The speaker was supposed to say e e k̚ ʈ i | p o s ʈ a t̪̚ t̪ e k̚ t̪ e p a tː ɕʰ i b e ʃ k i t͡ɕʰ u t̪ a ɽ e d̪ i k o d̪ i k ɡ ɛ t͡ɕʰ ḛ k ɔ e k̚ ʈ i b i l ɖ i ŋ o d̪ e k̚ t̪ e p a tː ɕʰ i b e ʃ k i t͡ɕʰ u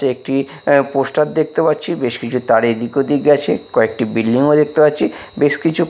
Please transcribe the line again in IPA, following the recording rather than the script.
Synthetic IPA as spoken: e e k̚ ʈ i | p o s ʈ a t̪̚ d̪ e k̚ t̪ e p a tː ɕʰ i b e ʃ k i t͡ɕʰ u t̪ a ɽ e d̪ i k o d̪ i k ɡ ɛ t͡ɕʰ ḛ k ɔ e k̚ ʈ i b i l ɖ i ŋ o d̪ e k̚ t̪ e p a tː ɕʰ i b e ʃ k i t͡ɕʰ u